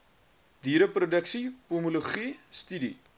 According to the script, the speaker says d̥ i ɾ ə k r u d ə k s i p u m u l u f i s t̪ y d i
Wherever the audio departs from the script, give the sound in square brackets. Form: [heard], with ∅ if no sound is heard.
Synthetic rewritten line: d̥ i ɾ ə [p] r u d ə k s i p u m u l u [χ] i s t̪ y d i